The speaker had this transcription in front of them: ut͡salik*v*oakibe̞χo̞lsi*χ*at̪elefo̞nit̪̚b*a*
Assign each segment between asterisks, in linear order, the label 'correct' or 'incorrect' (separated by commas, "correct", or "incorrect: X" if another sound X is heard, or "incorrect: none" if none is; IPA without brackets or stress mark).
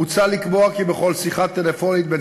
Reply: incorrect: b, correct, incorrect: e